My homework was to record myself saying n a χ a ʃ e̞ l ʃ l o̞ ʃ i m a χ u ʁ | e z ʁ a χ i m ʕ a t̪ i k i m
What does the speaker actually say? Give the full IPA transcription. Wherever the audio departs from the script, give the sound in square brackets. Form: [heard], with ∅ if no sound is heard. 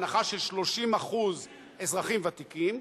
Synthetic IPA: n a χ a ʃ e̞ l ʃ l o̞ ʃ i m a χ u [z] | e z ʁ a χ i m [v] a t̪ i k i m